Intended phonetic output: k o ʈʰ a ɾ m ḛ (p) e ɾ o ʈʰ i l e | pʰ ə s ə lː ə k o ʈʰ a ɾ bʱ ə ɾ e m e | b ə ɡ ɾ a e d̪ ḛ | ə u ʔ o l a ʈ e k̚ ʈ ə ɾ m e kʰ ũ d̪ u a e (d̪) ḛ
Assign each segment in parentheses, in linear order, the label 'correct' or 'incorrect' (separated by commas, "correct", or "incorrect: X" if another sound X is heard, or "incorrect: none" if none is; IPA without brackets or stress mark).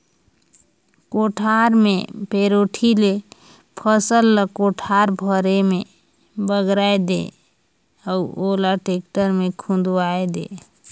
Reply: correct, correct